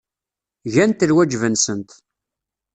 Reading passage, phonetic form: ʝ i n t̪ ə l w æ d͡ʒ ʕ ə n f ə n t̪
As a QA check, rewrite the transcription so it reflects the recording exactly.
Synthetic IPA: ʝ æ n t̪ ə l w æ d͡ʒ v ə n s ə n t̪